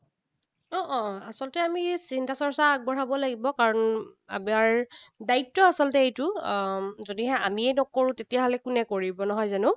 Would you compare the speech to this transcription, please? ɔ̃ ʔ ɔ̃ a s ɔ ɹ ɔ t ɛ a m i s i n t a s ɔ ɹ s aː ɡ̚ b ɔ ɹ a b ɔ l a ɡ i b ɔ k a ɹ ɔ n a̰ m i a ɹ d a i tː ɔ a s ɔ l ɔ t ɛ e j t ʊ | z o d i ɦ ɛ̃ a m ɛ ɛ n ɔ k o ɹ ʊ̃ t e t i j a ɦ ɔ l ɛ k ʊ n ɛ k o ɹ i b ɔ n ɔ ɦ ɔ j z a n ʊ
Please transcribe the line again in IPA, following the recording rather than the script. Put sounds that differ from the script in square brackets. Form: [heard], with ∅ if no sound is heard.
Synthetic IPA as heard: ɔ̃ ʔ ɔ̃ a s ɔ [l] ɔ t ɛ a m i s i n t a s ɔ ɹ s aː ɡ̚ b ɔ ɹ a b ɔ l a ɡ i b ɔ k a ɹ ɔ n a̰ m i a ɹ d a i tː ɔ a s ɔ l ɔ t ɛ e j t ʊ | z o d i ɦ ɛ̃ a m [i] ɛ n ɔ k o ɹ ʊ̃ t e t i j a ɦ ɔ l ɛ k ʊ n ɛ k o ɹ i b ɔ n ɔ ɦ ɔ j z a n ʊ